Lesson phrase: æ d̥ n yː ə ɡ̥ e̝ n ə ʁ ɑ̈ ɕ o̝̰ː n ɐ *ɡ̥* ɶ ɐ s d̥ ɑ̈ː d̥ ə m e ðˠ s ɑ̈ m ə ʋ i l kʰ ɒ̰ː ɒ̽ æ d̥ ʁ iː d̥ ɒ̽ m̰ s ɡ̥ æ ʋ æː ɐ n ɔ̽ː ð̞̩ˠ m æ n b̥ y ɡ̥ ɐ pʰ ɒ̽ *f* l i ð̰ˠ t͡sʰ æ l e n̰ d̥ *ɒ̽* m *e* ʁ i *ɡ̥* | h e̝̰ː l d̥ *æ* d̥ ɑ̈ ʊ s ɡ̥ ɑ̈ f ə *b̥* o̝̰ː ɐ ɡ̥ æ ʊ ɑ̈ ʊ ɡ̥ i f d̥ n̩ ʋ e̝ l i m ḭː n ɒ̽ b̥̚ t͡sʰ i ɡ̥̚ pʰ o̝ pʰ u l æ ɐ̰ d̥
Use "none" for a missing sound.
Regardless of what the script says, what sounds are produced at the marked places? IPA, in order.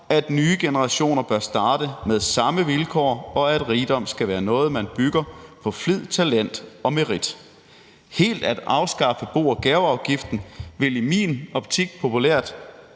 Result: b̥, f, ɒ̽, e, d̥, æ, b̥

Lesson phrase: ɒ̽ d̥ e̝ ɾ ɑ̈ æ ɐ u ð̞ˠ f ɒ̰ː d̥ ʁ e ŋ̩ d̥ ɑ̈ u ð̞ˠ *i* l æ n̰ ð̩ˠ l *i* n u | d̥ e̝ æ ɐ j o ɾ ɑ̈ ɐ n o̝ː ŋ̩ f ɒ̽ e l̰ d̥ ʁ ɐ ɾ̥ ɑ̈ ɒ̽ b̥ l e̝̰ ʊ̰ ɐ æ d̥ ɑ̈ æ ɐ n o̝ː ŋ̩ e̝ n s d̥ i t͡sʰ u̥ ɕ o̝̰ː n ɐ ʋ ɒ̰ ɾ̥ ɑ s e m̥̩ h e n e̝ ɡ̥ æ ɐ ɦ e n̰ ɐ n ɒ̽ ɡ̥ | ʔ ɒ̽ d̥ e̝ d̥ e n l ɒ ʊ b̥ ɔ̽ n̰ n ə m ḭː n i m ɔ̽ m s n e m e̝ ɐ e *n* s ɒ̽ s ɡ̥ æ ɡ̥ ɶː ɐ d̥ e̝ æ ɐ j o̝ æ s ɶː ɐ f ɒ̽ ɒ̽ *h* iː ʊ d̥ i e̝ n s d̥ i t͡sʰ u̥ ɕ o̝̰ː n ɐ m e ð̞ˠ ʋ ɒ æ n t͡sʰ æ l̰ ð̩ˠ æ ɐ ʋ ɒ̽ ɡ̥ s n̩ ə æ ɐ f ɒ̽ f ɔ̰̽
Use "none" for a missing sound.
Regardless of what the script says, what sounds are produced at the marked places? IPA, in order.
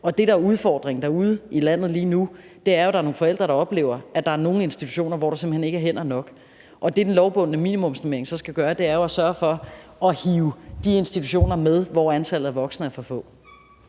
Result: i, iː, ŋ, h

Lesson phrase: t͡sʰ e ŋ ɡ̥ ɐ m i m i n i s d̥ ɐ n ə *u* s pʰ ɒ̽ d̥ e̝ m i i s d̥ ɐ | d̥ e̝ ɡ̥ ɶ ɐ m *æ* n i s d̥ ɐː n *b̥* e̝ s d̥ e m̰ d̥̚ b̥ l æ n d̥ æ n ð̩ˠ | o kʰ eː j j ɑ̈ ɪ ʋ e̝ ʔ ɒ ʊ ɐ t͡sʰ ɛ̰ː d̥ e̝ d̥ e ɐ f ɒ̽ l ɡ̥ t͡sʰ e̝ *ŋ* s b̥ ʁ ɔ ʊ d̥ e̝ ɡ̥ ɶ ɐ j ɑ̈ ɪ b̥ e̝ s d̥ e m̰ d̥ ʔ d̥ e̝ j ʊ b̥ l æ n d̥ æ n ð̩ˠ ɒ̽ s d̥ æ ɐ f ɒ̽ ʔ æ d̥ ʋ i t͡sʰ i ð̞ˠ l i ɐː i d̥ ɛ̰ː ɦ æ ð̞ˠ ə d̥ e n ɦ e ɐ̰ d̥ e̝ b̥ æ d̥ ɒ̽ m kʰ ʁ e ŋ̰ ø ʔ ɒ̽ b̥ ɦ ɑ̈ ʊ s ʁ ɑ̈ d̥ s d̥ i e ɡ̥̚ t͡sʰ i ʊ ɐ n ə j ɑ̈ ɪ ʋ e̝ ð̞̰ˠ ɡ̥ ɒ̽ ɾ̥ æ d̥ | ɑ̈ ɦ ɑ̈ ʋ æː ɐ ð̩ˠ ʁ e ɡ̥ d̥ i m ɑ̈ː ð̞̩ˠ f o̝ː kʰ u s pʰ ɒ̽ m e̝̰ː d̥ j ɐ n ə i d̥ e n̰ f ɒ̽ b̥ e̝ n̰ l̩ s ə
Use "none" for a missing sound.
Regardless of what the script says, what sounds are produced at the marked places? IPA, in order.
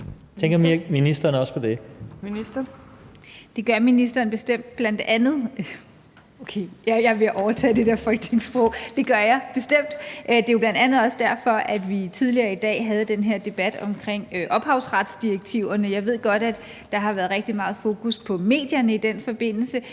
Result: ɒ, i, b̥, ŋ

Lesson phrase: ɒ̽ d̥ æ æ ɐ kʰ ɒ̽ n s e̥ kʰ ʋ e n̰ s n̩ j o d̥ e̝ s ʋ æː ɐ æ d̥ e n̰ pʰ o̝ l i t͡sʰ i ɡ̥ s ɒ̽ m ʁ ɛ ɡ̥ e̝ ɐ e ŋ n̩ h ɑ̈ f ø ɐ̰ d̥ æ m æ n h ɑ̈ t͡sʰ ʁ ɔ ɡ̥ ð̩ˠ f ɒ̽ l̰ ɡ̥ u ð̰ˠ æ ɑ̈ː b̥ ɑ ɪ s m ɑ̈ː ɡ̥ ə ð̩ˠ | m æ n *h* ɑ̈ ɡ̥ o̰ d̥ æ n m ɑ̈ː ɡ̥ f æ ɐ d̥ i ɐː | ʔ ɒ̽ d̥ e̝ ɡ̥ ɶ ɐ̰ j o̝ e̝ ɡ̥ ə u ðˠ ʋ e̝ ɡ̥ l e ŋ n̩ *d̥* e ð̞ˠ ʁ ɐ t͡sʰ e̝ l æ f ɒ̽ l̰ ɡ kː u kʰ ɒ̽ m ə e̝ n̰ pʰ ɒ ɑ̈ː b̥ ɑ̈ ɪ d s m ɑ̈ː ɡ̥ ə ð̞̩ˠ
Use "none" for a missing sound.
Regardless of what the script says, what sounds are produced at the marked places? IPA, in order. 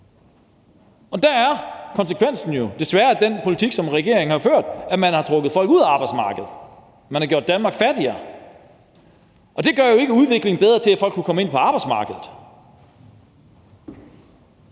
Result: h, b̥

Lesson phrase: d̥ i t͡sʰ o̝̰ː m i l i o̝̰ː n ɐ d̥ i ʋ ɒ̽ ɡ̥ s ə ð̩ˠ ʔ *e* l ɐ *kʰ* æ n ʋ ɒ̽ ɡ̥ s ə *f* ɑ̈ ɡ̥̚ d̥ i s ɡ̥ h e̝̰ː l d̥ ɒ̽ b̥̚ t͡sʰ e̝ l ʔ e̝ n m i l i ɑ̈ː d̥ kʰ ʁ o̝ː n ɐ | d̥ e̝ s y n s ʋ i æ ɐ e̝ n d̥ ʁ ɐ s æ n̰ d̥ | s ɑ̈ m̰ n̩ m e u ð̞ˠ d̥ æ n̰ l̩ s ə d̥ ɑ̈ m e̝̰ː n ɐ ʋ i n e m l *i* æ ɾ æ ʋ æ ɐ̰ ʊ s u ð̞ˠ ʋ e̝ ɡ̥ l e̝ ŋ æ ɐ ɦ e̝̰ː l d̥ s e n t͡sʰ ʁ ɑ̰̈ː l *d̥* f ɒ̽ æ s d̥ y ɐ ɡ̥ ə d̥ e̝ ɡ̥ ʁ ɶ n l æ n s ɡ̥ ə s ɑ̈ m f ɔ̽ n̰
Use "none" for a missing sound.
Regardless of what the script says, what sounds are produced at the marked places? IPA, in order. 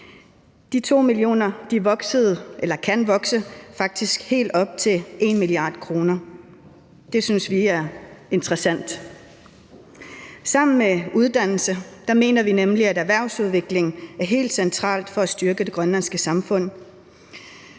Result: e, kʰ, f, i, d̥

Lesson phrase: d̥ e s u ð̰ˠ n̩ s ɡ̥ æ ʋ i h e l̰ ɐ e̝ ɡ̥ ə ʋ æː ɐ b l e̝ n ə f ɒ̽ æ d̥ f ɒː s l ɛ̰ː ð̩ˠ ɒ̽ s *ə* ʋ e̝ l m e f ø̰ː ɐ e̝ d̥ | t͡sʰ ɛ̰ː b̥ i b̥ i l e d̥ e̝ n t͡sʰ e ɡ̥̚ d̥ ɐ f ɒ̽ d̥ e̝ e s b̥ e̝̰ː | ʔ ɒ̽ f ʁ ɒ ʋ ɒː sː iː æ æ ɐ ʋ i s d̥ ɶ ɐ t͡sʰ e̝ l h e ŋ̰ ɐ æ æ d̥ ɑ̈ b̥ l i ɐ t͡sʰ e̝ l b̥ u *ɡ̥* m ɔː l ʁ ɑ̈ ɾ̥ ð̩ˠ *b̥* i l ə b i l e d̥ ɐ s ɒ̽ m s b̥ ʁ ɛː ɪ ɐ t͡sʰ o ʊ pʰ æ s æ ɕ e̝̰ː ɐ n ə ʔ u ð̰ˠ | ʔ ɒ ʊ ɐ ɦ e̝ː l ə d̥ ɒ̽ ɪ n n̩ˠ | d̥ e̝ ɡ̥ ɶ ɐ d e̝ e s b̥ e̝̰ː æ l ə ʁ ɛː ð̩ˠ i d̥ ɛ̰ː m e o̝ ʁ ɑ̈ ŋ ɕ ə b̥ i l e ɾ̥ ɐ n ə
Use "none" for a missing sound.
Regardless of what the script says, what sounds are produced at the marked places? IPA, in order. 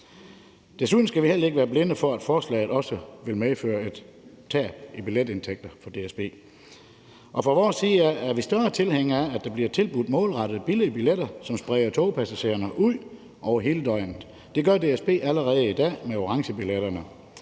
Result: ə, d̥, b̥

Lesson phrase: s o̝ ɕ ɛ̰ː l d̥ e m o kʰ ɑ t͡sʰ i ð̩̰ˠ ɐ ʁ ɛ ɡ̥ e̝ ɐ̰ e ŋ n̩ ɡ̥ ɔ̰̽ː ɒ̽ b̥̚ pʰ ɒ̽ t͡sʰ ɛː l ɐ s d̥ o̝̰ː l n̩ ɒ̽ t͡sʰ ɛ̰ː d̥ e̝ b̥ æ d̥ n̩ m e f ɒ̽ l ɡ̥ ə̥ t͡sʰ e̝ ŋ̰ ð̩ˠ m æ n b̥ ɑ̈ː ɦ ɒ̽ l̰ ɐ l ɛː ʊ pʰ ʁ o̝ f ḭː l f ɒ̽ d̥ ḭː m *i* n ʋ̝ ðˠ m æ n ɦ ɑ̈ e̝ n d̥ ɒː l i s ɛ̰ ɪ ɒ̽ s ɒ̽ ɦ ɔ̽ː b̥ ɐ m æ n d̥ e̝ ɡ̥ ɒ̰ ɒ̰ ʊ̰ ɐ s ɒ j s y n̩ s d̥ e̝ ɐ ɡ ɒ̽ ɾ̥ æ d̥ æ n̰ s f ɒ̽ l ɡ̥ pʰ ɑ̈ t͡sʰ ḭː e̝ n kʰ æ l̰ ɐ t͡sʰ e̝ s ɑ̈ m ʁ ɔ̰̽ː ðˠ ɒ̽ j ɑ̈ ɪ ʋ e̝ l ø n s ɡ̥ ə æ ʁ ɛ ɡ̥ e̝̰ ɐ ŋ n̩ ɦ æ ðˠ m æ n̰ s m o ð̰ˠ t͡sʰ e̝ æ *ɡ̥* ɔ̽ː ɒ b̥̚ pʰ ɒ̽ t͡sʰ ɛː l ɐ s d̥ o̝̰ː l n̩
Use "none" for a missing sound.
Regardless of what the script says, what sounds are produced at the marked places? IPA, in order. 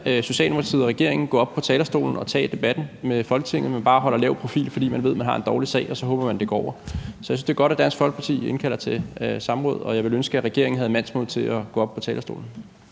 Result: æ, ɡ̥

